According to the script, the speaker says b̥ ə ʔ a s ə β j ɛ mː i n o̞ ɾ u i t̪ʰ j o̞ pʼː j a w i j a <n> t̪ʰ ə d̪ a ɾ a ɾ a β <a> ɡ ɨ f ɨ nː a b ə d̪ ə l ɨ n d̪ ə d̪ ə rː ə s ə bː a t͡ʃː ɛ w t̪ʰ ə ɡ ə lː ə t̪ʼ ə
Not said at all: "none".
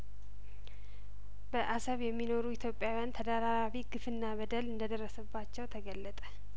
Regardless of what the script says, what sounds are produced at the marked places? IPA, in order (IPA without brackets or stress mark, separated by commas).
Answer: n, i